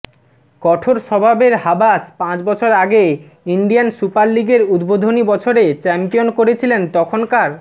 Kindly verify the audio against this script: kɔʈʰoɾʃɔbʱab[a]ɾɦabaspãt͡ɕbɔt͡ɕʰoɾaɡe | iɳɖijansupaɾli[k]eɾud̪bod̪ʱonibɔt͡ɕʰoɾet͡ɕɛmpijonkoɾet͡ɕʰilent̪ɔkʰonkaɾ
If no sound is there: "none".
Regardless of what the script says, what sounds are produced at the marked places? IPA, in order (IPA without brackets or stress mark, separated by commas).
e, ɡ